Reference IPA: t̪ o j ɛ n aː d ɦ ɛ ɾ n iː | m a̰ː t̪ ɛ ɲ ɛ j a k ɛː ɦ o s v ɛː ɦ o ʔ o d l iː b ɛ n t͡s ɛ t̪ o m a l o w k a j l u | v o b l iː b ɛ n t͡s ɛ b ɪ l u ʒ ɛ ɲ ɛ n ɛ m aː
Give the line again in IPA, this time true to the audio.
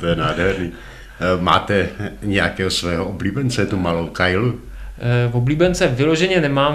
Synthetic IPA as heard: t̪ o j ɛ n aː d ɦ ɛ ɾ n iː | m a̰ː t̪ ɛ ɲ ɛ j a k ɛː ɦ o s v ɛː ɦ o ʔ o b l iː b ɛ n t͡s ɛ t̪ u m a l o w k a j l u | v o b l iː b ɛ n t͡s ɛ v ɪ l o ʒ ɛ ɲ ɛ n ɛ m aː